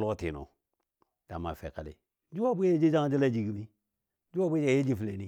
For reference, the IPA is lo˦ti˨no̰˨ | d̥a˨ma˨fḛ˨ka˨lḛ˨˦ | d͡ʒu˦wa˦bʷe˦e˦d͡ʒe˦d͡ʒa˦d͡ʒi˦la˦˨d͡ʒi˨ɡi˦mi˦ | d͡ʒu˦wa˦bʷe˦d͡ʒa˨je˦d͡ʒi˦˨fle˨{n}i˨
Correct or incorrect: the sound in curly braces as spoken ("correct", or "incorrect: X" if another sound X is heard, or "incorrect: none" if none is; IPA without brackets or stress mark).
correct